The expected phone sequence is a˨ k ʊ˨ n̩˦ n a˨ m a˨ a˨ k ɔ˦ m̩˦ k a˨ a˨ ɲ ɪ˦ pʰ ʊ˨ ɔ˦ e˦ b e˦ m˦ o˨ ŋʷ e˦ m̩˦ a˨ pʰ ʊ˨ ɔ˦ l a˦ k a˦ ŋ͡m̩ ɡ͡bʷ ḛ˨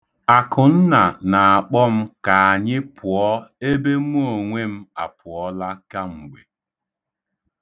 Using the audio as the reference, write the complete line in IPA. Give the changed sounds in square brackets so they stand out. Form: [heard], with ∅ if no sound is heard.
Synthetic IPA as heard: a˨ k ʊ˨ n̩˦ n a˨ [n] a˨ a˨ [k͡p] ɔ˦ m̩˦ k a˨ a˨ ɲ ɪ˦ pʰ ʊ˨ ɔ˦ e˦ b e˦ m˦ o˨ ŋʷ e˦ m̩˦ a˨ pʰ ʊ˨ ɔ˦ l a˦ k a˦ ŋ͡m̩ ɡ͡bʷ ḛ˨